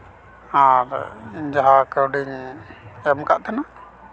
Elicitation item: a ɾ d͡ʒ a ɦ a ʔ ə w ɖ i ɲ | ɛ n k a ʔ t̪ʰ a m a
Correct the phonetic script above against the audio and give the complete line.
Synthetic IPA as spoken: a ɾ d͡ʒ a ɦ a k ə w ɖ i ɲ | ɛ m k a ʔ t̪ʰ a n a